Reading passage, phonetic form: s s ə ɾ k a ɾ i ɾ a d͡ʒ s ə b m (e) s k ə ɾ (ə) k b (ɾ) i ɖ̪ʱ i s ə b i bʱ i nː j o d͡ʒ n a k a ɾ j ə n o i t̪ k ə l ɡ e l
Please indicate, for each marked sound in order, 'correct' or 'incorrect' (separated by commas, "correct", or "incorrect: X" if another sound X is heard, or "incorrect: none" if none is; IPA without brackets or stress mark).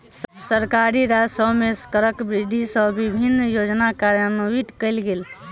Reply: correct, correct, correct